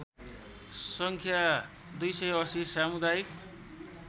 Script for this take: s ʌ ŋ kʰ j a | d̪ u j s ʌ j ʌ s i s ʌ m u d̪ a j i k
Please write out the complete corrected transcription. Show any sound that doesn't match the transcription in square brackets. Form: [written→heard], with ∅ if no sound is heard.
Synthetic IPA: s ʌ ŋ kʰ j a | d̪ u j s ʌ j ʌ s i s [ʌ→a] m u d̪ a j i k